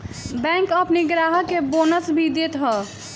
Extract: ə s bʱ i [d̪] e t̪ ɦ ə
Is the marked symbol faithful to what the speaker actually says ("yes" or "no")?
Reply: yes